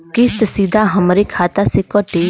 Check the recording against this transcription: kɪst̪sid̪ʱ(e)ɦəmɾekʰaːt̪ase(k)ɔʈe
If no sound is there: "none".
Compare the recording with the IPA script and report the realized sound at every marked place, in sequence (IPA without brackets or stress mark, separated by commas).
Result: a, k